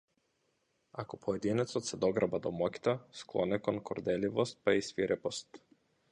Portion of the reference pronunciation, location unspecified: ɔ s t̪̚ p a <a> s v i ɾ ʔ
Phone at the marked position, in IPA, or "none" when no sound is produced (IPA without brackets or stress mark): i